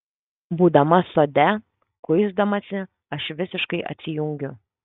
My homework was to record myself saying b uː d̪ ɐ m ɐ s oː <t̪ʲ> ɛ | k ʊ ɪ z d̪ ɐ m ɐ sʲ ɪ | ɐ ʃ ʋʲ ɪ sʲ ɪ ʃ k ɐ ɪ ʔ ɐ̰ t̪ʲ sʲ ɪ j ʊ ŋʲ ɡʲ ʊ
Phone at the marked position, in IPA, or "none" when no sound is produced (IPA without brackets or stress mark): d̪ʲ